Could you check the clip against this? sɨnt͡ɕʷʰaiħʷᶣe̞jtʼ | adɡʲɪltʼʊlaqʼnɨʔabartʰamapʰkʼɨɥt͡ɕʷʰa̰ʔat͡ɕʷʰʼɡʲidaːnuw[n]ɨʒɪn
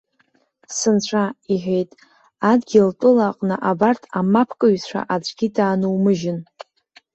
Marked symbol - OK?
no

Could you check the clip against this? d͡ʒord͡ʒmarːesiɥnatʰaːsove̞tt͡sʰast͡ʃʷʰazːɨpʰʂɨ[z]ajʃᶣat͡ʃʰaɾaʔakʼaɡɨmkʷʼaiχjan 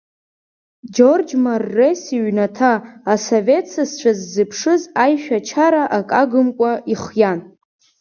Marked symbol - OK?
yes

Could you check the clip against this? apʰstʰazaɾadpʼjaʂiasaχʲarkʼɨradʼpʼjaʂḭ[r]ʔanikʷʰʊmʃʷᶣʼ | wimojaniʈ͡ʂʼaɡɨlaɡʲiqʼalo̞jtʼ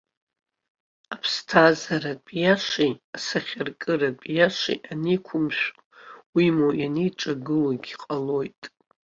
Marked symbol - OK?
no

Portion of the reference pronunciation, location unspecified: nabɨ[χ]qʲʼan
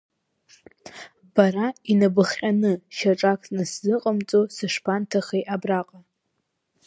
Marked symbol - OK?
yes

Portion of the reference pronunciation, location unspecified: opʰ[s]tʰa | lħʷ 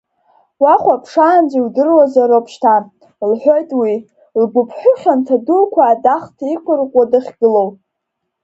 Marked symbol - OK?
no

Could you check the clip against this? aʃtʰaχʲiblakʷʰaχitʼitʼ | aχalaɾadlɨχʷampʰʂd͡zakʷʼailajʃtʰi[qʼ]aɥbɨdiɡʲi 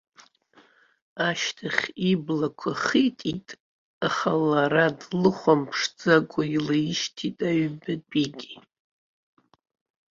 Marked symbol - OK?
no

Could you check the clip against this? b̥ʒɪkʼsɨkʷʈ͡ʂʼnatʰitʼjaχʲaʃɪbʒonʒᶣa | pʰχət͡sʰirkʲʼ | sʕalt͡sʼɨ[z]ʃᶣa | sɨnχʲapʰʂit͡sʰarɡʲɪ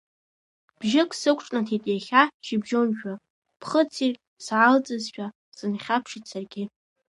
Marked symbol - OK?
yes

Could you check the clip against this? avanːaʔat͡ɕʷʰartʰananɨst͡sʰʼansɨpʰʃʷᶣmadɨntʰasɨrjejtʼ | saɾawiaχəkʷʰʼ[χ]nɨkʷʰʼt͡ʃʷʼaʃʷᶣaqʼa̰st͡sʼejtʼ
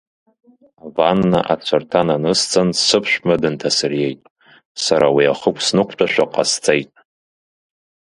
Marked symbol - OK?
no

